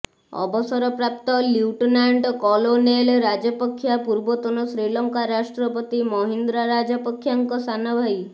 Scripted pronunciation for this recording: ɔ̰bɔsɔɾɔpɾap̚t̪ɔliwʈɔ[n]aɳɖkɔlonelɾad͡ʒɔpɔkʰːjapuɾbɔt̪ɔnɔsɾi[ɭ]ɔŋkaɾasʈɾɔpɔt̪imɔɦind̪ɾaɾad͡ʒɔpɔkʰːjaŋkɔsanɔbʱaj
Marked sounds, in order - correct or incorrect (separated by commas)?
correct, incorrect